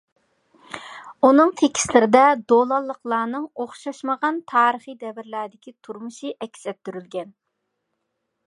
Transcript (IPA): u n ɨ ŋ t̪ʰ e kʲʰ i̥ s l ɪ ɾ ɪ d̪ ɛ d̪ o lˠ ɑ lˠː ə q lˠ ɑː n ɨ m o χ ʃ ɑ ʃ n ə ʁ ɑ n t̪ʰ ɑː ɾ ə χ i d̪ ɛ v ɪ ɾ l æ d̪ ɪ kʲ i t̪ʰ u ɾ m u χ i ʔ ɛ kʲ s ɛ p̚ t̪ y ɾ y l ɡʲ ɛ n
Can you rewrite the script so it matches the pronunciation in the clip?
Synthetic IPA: u n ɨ ŋ t̪ʰ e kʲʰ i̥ s l ɪ ɾ ɪ d̪ ɛ d̪ o lˠ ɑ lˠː ə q lˠ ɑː n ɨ ŋ o χ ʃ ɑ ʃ m ə ʁ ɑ n t̪ʰ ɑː ɾ ə χ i d̪ ɛ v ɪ ɾ l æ d̪ ɪ kʲ i t̪ʰ u ɾ m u ʃ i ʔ ɛ kʲ s ɛ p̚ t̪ y ɾ y l ɡʲ ɛ n